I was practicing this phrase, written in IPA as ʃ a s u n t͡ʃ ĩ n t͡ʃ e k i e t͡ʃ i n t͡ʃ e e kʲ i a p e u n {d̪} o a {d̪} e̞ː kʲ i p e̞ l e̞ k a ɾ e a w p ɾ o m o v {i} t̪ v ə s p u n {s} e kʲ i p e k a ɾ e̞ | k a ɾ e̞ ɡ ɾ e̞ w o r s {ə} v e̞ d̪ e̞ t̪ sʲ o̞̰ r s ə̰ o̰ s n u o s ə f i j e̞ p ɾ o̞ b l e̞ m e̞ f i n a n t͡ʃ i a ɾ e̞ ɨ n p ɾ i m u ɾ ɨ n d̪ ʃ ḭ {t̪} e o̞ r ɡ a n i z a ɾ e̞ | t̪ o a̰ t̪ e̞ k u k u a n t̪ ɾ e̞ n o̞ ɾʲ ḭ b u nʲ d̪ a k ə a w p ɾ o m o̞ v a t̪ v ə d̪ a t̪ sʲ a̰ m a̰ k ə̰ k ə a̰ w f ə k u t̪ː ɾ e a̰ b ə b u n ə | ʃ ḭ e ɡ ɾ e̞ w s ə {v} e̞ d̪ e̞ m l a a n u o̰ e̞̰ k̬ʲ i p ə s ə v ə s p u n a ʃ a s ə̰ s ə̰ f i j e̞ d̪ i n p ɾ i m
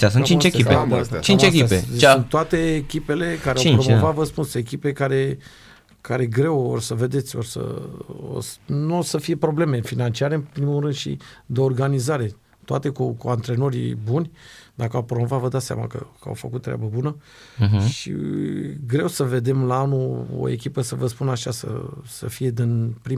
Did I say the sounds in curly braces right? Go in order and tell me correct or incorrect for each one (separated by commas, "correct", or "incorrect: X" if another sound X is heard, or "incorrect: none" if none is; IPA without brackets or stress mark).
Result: incorrect: t̪, incorrect: t̪, incorrect: a, correct, correct, incorrect: d̪, correct